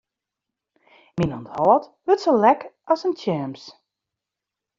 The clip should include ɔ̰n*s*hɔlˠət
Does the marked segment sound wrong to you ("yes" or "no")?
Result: yes